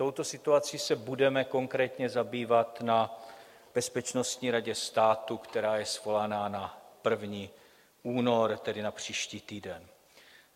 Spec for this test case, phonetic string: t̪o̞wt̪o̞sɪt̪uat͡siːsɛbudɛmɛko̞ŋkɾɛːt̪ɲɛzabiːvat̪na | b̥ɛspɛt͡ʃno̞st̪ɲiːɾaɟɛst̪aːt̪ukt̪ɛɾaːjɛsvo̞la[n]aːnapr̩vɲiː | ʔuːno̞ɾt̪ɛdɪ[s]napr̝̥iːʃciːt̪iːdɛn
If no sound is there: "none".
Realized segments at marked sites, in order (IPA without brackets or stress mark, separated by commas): n, none